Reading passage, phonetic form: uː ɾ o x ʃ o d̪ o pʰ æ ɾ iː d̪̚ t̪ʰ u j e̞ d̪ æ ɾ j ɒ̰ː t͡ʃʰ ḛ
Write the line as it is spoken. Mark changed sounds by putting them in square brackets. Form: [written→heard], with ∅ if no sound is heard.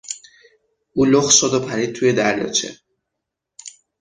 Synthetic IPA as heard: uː [ɾ→l] o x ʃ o d̪ o pʰ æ ɾ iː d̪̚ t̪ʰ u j e̞ d̪ æ ɾ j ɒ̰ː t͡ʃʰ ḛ